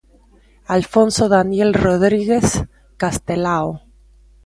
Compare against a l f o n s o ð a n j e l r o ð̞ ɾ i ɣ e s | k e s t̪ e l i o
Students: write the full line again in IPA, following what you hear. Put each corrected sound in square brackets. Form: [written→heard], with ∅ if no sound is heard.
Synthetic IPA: a l f o n s o ð a n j e l r o ð̞ ɾ i ɣ e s | k [e→a] s t̪ e l [i→a] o